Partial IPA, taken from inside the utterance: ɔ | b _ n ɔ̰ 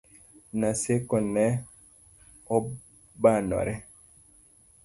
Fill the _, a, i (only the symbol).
a